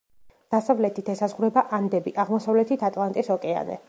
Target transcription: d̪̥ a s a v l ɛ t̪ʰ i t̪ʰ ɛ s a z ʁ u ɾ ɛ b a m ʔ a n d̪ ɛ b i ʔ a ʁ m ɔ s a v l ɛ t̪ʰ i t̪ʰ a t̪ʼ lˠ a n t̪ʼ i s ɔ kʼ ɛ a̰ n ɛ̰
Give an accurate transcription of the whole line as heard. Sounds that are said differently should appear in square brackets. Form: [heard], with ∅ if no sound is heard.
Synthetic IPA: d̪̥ a s a v l ɛ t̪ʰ i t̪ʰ ɛ s a z ʁ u ɾ ɛ b a [∅] ʔ a n d̪ ɛ b i ʔ a ʁ m ɔ s a v l ɛ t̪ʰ i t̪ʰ a t̪ʼ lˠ a n t̪ʼ i s ɔ kʼ ɛ a̰ n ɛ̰

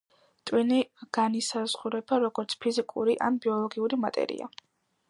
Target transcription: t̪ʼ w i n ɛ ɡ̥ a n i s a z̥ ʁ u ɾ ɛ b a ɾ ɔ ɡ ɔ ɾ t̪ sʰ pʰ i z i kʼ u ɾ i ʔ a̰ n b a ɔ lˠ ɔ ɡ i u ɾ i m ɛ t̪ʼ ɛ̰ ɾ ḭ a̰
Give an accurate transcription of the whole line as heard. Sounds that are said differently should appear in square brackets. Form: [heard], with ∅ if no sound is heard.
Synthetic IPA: t̪ʼ w i n [i] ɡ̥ a n i s a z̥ ʁ u ɾ ɛ b a ɾ ɔ ɡ ɔ ɾ t̪ sʰ pʰ i z i kʼ u ɾ i ʔ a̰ n b [i] ɔ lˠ ɔ ɡ i u ɾ i m [a] t̪ʼ ɛ̰ ɾ ḭ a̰

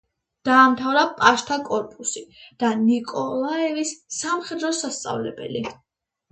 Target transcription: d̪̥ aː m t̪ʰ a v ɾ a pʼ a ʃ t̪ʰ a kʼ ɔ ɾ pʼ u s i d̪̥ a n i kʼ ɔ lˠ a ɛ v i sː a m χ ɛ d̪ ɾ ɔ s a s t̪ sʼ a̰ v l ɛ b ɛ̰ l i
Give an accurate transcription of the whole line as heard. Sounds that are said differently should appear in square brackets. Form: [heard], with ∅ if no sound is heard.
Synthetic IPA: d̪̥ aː m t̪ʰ a v ɾ a pʼ a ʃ t̪ʰ a kʼ ɔ ɾ pʼ u s i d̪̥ a n i kʼ ɔ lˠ a ɛ v i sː a m χ ɛ d̪ ɾ ɔ s a s t̪ sʼ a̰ v l ɛ b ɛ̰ l i

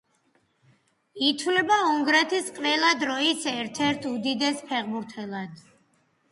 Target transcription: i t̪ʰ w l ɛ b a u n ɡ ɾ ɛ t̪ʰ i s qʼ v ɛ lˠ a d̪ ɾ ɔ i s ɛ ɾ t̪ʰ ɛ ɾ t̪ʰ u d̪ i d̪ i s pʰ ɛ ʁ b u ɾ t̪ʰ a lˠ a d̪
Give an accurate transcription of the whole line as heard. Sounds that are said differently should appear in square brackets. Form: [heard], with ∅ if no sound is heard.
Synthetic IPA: i t̪ʰ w l ɛ b a u [ŋ] ɡ ɾ ɛ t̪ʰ i s qʼ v ɛ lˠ a d̪ ɾ ɔ i s ɛ ɾ t̪ʰ ɛ ɾ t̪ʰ u d̪ i d̪ [ɛ] s pʰ ɛ ʁ b u ɾ t̪ʰ [ɛ] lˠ a d̪

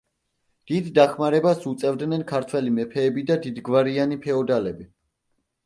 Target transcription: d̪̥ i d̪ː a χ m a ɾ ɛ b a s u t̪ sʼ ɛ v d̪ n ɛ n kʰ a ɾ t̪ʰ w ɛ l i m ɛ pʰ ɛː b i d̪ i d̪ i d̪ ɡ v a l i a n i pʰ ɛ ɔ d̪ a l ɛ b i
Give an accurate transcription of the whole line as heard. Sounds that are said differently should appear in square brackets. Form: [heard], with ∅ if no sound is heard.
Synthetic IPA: d̪̥ i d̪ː a χ m a ɾ ɛ b a s u t̪ sʼ ɛ v d̪ n ɛ n kʰ a ɾ t̪ʰ w ɛ l i m ɛ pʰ ɛː b i d̪ [a] d̪ i d̪ ɡ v a [ɾ] i a n i pʰ ɛ ɔ d̪ a l ɛ b i

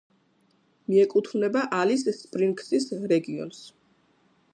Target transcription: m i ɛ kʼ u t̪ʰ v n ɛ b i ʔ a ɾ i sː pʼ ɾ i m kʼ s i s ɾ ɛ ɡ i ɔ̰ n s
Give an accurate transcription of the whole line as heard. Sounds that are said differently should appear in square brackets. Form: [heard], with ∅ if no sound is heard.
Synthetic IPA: m i ɛ kʼ u t̪ʰ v n ɛ b [a] ʔ a [l] i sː pʼ ɾ i [ŋ] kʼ s i s ɾ ɛ ɡ i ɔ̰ n s

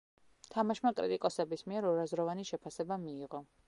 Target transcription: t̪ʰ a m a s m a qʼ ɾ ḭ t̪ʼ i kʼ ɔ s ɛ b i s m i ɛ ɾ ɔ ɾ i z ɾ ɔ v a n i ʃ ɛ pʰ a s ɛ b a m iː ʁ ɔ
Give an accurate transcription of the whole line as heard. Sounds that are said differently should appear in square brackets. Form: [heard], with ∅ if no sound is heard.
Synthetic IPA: t̪ʰ a m a [ʃ] m a [kʼ] ɾ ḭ t̪ʼ i kʼ ɔ s ɛ b i s m i ɛ ɾ ɔ ɾ [a] z ɾ ɔ v a n i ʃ ɛ pʰ a s ɛ b a m iː ʁ ɔ

